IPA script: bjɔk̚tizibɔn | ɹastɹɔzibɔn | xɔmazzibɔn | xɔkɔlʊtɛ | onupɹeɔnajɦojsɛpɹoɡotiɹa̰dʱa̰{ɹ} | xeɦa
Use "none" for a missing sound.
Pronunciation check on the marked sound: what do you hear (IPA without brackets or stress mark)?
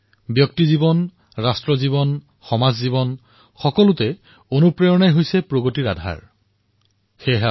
ɹ